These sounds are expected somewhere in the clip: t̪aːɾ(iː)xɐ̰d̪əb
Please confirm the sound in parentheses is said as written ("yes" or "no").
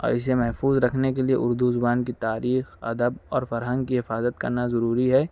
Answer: yes